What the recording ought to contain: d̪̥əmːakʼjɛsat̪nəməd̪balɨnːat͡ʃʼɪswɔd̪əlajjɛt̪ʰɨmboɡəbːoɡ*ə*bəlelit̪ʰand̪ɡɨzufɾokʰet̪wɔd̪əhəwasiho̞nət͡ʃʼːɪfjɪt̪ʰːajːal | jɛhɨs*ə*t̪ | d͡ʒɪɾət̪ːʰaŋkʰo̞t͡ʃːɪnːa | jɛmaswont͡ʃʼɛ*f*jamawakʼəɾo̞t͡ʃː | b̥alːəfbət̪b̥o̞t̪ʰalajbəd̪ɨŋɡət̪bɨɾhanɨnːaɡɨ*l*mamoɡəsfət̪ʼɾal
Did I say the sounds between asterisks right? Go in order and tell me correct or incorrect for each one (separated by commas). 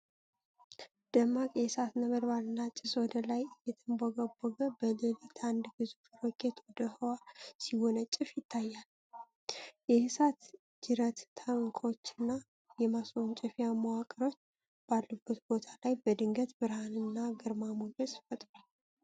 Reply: correct, incorrect, correct, incorrect